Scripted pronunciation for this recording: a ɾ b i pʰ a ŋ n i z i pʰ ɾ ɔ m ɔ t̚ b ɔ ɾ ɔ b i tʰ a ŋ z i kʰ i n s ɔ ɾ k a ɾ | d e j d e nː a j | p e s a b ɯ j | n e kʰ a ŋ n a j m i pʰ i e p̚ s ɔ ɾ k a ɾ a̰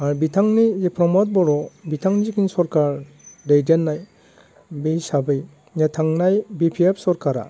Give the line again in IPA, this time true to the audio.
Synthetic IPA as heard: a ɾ b i tʰ a ŋ n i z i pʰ ɾ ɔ m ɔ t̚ b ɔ ɾ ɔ b i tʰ a ŋ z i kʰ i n s ɔ ɾ k a ɾ | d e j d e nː a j | b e s a b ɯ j | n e tʰ a ŋ n a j b i pʰ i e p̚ s ɔ ɾ k a ɾ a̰